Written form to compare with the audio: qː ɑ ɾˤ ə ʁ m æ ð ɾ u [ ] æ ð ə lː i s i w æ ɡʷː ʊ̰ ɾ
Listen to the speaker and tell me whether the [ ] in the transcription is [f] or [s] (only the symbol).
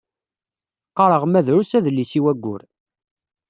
s